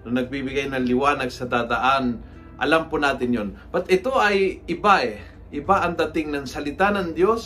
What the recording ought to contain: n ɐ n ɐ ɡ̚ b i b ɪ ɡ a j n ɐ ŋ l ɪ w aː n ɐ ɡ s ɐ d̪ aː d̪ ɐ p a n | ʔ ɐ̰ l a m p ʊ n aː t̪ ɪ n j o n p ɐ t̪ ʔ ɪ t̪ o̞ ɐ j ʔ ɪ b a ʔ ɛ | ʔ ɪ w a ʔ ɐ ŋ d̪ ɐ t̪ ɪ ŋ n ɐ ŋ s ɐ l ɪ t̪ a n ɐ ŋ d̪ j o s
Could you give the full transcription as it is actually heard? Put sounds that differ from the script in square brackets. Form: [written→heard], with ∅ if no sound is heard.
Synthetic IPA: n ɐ n ɐ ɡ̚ b i b ɪ ɡ a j n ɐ ŋ l ɪ w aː n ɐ ɡ s ɐ d̪ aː d̪ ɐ [p→ʔ] a n | ʔ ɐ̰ l a m p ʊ n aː t̪ ɪ n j o n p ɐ t̪ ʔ ɪ t̪ o̞ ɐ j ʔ ɪ b a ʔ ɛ | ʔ ɪ [w→b] a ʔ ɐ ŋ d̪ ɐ t̪ ɪ ŋ n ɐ ŋ s ɐ l ɪ t̪ a n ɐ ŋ d̪ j o s